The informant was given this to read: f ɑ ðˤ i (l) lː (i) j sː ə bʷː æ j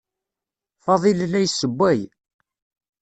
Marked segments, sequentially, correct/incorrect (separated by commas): correct, incorrect